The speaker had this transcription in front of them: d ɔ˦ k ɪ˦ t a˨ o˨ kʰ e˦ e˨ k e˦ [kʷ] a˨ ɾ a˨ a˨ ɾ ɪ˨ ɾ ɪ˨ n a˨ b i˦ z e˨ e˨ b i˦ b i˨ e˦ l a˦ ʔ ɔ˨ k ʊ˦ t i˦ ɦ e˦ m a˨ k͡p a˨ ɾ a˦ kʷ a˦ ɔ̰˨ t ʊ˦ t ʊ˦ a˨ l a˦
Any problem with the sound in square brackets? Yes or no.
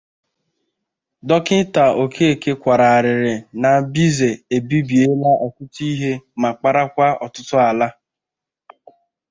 no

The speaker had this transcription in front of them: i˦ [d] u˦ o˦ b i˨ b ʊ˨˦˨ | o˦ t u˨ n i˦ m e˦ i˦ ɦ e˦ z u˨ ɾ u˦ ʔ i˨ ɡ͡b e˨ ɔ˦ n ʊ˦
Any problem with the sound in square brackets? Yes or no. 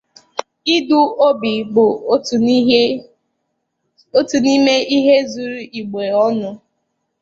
no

